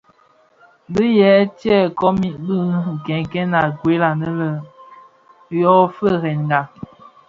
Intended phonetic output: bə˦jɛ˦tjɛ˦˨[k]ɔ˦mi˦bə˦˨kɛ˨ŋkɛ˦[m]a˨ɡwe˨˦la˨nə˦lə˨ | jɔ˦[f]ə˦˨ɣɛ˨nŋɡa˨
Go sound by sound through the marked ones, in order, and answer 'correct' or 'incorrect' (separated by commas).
correct, incorrect, correct